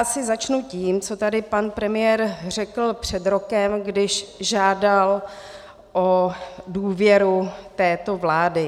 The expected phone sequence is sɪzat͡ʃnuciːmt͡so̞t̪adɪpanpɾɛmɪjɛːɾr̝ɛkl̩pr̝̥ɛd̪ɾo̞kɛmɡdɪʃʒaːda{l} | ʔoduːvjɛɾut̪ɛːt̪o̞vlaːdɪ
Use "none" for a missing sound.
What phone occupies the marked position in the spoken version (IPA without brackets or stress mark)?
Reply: l